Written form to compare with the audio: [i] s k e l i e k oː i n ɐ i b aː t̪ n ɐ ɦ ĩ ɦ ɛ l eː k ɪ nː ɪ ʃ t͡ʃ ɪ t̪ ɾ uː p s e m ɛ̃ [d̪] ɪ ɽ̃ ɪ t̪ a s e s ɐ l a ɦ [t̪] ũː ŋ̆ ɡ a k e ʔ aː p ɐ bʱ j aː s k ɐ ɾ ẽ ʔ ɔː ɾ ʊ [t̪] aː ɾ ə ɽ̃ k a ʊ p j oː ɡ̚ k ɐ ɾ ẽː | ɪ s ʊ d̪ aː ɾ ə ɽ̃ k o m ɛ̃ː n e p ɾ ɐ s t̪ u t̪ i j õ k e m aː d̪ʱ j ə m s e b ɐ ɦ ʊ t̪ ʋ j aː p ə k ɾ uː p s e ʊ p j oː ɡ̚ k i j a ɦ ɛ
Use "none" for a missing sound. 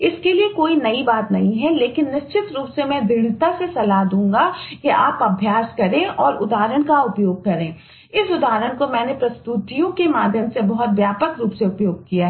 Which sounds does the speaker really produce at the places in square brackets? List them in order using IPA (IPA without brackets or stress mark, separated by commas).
ɪ, d̪, d̪, d̪